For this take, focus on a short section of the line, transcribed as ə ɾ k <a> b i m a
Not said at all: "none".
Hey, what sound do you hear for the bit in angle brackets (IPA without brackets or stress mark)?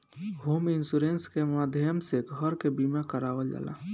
e